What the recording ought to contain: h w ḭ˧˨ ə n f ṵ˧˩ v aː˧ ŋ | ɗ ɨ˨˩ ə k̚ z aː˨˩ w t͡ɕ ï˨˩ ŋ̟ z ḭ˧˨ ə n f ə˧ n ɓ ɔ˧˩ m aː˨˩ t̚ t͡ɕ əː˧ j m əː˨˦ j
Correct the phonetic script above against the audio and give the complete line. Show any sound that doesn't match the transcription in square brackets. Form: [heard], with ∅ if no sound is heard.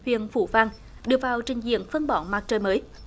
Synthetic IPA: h w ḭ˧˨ ə n f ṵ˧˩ v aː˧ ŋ | ɗ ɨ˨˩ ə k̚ [v] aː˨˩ w t͡ɕ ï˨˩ ŋ̟ z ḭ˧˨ ə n f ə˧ n ɓ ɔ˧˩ m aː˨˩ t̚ t͡ɕ [əː˨˩] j m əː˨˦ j

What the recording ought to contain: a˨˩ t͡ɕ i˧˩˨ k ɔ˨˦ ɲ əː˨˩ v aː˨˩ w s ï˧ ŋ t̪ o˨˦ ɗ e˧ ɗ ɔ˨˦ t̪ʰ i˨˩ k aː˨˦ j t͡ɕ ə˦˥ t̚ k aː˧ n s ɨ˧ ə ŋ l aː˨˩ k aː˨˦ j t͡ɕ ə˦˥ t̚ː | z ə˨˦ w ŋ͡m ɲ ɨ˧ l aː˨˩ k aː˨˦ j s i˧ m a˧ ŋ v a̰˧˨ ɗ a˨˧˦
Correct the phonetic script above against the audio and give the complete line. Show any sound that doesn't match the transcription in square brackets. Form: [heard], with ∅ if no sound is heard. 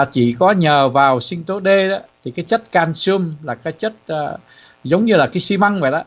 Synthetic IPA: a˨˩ t͡ɕ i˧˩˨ k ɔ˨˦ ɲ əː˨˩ v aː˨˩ w s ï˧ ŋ t̪ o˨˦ ɗ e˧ ɗ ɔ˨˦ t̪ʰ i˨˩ k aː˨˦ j t͡ɕ ə˦˥ t̚ k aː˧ n s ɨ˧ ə [m] l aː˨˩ k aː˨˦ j t͡ɕ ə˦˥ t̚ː | z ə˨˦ w ŋ͡m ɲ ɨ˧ l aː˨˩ k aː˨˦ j s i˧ m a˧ ŋ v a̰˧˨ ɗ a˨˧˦

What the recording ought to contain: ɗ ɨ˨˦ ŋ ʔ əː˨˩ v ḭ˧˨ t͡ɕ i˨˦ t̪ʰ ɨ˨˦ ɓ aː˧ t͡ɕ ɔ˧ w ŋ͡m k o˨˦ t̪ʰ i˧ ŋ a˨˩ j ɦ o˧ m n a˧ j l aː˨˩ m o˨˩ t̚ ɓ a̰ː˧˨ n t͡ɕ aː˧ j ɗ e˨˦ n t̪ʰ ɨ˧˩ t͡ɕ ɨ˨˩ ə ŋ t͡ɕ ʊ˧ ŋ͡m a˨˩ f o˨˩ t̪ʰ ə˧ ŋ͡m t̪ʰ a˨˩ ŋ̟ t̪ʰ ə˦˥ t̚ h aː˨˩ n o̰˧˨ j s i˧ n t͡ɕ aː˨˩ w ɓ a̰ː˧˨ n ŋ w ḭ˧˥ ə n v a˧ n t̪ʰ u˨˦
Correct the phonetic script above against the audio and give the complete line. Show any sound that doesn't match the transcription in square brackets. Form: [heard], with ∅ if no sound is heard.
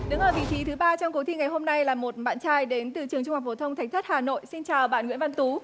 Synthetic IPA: ɗ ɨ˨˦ ŋ ʔ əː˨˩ v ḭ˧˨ t͡ɕ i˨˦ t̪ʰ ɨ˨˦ ɓ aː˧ t͡ɕ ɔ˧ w ŋ͡m k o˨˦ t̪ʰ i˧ ŋ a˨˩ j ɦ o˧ m n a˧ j l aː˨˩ m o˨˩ t̚ ɓ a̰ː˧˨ n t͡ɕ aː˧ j ɗ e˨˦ n [t̪] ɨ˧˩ t͡ɕ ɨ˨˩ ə ŋ t͡ɕ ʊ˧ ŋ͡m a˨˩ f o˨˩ t̪ʰ ə˧ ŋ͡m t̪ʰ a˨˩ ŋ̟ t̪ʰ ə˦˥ t̚ h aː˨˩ n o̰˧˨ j s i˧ n t͡ɕ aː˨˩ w ɓ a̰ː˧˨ n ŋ w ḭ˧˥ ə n v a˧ n [t̪] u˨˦

